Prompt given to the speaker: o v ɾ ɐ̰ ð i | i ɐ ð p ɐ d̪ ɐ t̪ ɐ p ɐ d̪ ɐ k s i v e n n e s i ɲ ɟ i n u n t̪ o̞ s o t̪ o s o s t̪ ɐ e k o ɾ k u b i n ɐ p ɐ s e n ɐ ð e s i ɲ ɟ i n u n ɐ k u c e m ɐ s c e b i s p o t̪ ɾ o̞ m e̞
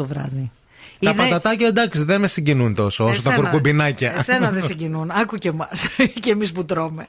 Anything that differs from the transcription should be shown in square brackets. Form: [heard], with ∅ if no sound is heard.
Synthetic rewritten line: o v ɾ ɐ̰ ð i | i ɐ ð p ɐ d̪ ɐ t̪ ɐ [c] ɐ d̪ ɐ k s i [ð] e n [m] e s i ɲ ɟ i n u n t̪ o̞ s o [∅] o s o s t̪ ɐ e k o ɾ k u b i n ɐ [c] ɐ s e n ɐ ð e s i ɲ ɟ i n u n ɐ k u c e m ɐ s c e [m] i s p [u] t̪ ɾ o̞ m e̞